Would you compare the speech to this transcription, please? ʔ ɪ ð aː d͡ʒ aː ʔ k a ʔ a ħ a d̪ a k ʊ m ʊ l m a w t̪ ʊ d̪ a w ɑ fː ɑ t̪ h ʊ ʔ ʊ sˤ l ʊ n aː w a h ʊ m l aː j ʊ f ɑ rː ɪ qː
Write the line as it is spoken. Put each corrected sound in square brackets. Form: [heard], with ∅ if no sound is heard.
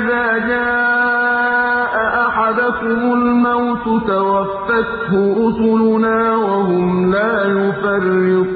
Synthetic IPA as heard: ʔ ɪ ð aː d͡ʒ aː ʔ [ʔ] a ʔ a ħ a d̪ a k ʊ m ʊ l m a w t̪ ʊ [t̪] a w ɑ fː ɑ t̪ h ʊ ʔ ʊ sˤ l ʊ n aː w a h ʊ m l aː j ʊ f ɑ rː ɪ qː

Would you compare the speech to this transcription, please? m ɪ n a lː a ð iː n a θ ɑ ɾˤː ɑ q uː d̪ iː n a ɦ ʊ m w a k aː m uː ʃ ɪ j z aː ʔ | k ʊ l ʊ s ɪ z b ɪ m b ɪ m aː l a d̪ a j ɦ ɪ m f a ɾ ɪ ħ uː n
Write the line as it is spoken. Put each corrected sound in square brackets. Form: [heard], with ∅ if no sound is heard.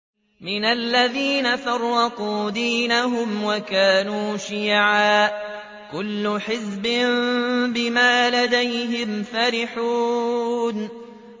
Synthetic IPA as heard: m ɪ n a lː a ð iː n a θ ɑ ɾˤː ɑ q uː d̪ iː n a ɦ ʊ m w a k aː [n] uː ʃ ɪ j [ʕ] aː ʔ | k ʊ [lː] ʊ [ħ] ɪ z b ɪ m b ɪ m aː l a d̪ a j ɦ ɪ m f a ɾ ɪ ħ uː n

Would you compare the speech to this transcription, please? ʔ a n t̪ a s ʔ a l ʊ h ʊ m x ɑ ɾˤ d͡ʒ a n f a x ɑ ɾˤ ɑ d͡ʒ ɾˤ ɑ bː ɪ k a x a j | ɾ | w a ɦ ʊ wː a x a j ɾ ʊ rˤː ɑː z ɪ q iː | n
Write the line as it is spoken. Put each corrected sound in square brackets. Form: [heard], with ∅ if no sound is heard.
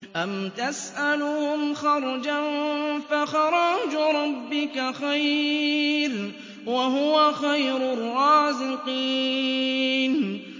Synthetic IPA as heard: ʔ a [m] t̪ a s ʔ a l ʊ h ʊ m x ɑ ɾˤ d͡ʒ a n f a x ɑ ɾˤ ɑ d͡ʒ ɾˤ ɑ bː ɪ k a x a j | ɾ | w a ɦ ʊ [w] a x a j ɾ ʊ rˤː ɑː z ɪ q iː | n

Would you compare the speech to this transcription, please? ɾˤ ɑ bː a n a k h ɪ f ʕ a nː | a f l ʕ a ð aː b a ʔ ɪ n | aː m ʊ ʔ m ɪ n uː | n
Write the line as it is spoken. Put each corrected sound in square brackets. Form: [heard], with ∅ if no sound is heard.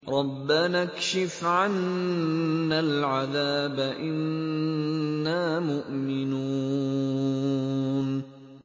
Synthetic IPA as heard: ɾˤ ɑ bː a n a k [ʃ] ɪ f ʕ a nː | a [∅] l ʕ a ð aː b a ʔ ɪ n | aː m ʊ ʔ m ɪ n uː | n

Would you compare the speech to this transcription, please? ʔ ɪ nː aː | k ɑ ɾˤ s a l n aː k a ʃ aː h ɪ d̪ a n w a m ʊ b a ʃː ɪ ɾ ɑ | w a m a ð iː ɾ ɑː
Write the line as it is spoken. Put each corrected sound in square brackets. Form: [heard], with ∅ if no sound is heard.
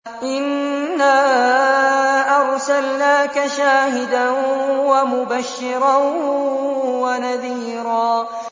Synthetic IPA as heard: ʔ ɪ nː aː | [ʔ] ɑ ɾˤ s a l n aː k a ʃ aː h ɪ d̪ a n w a m ʊ b a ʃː ɪ ɾ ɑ | w a [n] a ð iː ɾ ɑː

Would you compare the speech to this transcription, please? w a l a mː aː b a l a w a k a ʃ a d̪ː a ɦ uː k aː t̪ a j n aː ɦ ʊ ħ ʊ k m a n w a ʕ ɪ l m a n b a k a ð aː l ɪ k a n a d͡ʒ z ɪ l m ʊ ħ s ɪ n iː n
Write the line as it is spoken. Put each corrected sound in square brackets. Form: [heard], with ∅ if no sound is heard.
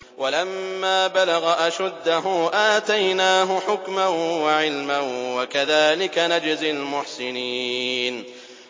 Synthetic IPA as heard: w a l a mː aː b a l a [ɣ] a [ʔ] a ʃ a d̪ː a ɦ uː [ʔ] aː t̪ a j n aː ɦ ʊ ħ ʊ k m a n w a ʕ ɪ l m a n [w] a k a ð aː l ɪ k a n a d͡ʒ z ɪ l m ʊ ħ s ɪ n iː n

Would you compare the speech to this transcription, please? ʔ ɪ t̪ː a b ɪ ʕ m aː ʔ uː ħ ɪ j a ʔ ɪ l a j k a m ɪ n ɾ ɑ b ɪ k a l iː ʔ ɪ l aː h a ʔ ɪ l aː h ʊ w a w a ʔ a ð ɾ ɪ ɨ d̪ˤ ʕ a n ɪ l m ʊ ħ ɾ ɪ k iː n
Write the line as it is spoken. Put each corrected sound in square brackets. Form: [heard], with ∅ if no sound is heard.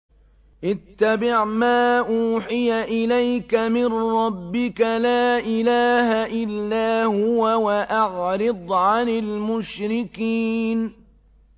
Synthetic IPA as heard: ʔ ɪ t̪ː a b ɪ ʕ m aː ʔ uː ħ ɪ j a ʔ ɪ l a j k a m ɪ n ɾ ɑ [bː] ɪ k a l [aː] ʔ ɪ l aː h a ʔ ɪ [lː] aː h ʊ w a w a ʔ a [ʕ] ɾ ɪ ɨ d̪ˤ ʕ a n ɪ l m ʊ [ʃ] ɾ ɪ k iː n

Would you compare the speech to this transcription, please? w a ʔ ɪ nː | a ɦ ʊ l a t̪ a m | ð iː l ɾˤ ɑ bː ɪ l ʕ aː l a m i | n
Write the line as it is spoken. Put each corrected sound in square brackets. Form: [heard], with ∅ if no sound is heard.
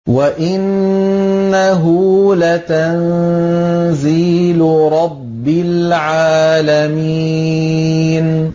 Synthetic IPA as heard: w a ʔ ɪ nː | a ɦ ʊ l a t̪ a [n] | [z] iː l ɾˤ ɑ bː ɪ l ʕ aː l a m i | n

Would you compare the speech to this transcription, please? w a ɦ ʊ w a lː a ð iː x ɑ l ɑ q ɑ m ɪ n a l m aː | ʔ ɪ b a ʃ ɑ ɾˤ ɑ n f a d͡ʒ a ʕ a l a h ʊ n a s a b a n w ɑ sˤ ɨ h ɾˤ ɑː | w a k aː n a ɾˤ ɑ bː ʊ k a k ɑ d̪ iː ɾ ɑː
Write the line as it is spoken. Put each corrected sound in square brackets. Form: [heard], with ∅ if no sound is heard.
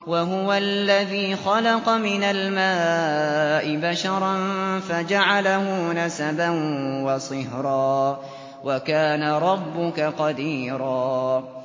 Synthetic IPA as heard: w a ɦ ʊ w a lː a ð iː x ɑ l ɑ q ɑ m ɪ n a l m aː | ʔ ɪ b a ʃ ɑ ɾˤ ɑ n f a d͡ʒ a ʕ a l a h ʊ n a s a b a n w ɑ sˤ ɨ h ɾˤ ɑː | w a k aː n a ɾˤ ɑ bː ʊ k a [q] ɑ d̪ iː ɾ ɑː

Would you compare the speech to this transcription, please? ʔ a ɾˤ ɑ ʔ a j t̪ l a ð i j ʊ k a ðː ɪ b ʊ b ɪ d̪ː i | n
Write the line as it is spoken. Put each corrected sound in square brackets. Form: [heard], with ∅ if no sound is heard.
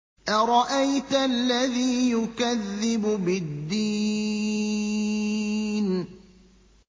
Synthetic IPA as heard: ʔ a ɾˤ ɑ ʔ a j t̪ [lː] a ð [iː] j ʊ k a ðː ɪ b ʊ b ɪ d̪ː i | n

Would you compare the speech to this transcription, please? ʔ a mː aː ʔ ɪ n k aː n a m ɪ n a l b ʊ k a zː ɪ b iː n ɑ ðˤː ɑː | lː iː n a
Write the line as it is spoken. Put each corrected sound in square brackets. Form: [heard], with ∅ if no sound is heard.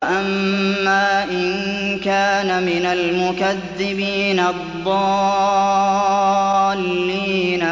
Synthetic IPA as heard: ʔ a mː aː ʔ ɪ n k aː n a m ɪ n a l [m] ʊ k a [ðː] ɪ b iː n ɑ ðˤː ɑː | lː iː n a

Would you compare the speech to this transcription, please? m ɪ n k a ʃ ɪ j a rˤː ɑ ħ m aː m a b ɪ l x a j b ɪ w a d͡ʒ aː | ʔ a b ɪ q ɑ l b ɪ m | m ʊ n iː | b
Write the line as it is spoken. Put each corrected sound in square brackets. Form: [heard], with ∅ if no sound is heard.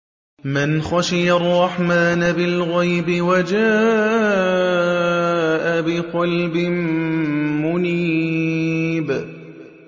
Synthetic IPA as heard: m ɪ n [x] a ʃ ɪ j a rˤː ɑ ħ m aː [n] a b ɪ l [ɣ] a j b ɪ w a d͡ʒ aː | ʔ a b ɪ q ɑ l b ɪ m | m ʊ n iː | b

